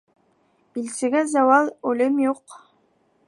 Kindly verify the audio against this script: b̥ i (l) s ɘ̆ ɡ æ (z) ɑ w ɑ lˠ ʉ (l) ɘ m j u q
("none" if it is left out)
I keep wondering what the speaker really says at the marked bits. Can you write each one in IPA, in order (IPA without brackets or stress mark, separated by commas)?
l, z, l